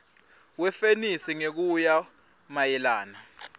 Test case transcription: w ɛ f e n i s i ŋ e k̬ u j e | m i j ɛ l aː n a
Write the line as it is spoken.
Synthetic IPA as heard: w ɛ f e n i s i ŋ e k̬ u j a | m a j ɛ l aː n a